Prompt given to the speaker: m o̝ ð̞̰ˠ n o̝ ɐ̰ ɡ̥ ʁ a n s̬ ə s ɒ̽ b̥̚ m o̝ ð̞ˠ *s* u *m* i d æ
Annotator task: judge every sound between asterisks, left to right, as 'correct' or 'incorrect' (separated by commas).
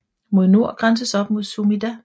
correct, correct